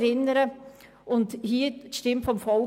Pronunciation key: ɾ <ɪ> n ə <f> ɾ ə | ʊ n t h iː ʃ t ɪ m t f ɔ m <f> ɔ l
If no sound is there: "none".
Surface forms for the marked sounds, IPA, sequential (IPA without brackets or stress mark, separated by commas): ɪ, none, f